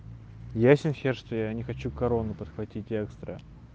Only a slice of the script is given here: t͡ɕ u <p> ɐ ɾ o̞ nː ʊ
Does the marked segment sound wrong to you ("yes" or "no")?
yes